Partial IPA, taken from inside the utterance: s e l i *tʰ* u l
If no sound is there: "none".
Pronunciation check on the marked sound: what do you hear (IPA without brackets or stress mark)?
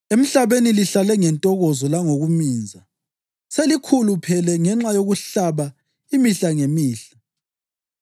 kʰ